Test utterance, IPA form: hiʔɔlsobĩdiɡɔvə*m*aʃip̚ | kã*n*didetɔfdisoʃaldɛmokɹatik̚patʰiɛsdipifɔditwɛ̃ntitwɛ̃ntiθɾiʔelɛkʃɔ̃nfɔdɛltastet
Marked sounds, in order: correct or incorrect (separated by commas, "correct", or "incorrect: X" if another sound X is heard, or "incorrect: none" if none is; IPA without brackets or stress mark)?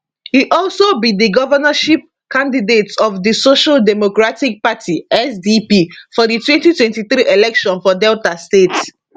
incorrect: n, correct